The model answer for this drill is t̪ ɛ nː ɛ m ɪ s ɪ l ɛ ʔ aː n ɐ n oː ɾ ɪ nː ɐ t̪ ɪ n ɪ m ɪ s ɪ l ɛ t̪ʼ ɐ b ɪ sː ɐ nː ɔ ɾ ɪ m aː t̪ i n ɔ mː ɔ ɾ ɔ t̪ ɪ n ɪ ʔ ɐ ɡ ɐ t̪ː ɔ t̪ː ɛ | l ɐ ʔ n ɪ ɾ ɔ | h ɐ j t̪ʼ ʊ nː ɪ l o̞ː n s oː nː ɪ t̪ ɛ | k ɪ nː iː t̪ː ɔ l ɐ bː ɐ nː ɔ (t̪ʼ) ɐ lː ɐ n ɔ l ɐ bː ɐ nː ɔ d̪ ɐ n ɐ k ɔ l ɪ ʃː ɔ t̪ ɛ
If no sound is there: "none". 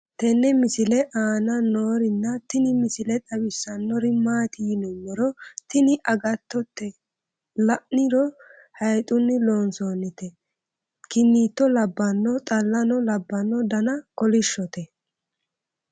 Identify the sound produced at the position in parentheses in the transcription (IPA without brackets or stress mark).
t̪ʼ